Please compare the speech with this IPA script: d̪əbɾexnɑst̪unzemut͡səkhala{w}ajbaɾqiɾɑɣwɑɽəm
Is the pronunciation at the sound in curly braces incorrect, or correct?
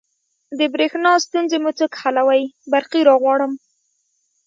correct